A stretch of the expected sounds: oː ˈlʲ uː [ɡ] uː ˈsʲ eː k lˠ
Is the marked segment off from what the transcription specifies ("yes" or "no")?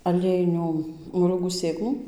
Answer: no